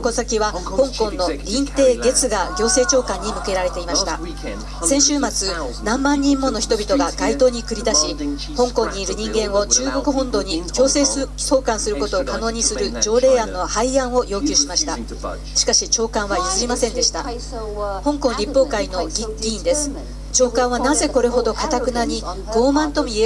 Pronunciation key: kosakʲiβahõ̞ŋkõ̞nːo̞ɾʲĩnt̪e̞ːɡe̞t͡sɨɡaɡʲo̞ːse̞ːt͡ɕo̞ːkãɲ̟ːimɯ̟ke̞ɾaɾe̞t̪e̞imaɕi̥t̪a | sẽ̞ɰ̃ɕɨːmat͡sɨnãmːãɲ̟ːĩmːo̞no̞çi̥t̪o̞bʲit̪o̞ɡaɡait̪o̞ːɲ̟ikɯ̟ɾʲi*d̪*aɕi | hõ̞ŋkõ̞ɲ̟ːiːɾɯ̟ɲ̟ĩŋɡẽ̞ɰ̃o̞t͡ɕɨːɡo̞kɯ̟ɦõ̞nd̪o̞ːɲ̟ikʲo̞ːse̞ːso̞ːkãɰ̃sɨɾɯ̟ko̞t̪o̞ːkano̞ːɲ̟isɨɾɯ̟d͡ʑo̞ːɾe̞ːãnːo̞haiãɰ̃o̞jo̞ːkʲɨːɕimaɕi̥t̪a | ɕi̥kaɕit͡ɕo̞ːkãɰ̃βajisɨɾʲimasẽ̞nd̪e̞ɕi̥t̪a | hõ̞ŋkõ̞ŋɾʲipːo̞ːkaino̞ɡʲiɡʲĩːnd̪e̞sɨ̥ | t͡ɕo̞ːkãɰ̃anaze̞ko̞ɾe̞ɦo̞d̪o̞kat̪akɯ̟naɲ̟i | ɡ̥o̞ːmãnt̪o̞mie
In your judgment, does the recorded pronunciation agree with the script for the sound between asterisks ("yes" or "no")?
yes